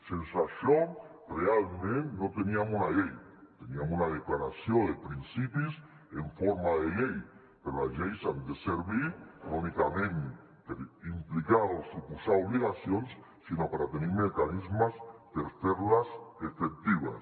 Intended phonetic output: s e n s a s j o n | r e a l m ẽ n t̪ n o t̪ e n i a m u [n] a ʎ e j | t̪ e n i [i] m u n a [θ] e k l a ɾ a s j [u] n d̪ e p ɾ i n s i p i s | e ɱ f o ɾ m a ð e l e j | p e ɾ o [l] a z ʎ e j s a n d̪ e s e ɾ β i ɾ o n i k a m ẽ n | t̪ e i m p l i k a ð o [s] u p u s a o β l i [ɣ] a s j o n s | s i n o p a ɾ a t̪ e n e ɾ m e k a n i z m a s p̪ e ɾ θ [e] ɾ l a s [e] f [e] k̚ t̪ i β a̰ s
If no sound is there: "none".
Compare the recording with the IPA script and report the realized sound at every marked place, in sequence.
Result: n, a, ð, o, l, s, ɣ, e, e, e

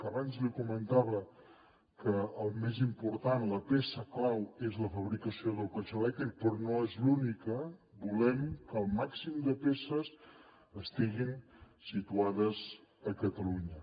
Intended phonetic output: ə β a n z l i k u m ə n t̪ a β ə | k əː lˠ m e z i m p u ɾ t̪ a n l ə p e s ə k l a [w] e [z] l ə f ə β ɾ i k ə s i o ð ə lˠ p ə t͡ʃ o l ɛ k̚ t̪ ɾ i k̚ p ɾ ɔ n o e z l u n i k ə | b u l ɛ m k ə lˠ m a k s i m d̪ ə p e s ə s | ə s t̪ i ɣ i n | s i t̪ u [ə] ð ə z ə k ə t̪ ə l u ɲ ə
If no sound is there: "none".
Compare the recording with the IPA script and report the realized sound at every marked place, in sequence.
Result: w, z, a

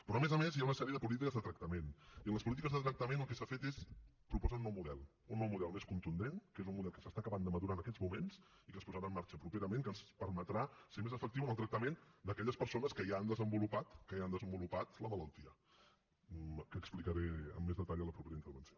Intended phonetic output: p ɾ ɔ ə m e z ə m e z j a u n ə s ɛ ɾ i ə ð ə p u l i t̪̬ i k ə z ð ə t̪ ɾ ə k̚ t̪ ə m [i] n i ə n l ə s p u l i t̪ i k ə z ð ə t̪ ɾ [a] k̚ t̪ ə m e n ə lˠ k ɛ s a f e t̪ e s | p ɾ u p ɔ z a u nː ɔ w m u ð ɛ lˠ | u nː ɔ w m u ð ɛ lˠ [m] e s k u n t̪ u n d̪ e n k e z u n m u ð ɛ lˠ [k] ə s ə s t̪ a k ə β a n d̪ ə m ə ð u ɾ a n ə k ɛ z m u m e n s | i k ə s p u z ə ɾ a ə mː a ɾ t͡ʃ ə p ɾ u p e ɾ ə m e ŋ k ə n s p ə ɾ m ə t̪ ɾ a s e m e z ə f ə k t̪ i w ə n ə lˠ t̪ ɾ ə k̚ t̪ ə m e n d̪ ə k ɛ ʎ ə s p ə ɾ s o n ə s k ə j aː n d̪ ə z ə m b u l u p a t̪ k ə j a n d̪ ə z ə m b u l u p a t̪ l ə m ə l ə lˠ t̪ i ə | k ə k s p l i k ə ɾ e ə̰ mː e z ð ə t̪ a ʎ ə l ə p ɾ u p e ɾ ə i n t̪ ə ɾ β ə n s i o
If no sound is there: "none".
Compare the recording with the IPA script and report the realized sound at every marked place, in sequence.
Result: e, ə, m, k

